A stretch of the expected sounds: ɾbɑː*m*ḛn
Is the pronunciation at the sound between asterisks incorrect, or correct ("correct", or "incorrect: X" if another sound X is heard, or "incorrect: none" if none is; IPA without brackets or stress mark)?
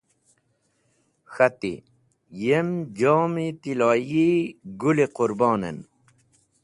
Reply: incorrect: n